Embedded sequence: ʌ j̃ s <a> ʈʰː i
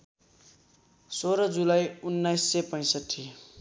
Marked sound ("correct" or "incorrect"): incorrect